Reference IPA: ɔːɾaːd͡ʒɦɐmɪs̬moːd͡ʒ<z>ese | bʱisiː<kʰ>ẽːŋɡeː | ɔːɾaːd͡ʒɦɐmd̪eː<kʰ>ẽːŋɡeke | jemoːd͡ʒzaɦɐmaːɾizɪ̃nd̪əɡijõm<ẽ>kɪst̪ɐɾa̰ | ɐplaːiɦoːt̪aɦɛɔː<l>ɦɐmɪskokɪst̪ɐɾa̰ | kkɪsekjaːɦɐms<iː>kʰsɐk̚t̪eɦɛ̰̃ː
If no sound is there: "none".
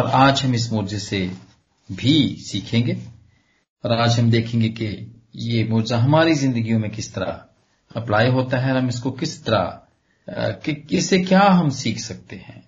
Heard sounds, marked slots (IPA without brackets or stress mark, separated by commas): z, kʰ, kʰ, ẽ, ɾ, iː